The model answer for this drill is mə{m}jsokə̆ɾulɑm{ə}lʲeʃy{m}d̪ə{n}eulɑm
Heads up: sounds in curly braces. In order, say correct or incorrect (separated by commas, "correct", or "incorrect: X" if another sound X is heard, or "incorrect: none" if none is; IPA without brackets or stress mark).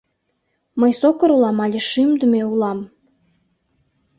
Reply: incorrect: none, incorrect: ɑ, correct, incorrect: m